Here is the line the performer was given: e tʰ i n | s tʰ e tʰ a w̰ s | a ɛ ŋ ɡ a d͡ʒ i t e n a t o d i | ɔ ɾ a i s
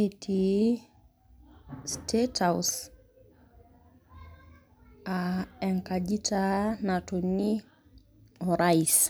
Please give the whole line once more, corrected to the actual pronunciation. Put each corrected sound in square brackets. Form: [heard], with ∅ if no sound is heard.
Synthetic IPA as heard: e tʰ i [∅] | s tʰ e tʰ a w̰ s | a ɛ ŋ [k] a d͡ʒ i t [a] n a t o [n] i | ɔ ɾ a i s